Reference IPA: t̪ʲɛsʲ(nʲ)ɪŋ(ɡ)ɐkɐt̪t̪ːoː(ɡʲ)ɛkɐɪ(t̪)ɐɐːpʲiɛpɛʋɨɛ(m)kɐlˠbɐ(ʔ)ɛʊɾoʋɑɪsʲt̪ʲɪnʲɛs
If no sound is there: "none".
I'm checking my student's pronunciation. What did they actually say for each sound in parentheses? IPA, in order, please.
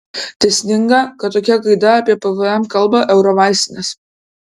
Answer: nʲ, ɡ, kʲ, d̪, m, ʔ

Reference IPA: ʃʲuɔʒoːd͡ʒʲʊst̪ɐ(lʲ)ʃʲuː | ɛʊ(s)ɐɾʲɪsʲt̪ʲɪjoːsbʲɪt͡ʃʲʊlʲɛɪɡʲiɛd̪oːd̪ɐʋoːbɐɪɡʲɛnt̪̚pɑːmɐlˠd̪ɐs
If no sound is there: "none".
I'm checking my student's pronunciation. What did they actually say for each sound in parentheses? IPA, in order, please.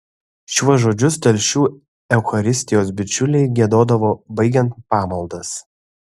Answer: lʲ, x

